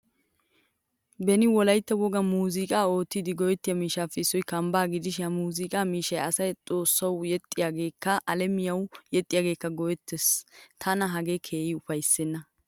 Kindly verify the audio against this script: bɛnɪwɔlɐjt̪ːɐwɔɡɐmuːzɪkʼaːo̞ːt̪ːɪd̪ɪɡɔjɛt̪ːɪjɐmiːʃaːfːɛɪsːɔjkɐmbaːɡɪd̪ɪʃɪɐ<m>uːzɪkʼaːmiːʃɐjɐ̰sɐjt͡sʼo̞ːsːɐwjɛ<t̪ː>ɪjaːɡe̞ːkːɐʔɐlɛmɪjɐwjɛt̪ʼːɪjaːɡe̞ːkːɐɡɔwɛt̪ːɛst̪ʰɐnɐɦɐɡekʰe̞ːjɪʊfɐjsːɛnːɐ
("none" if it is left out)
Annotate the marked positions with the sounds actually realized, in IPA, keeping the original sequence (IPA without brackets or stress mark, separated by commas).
m, t̪ʼː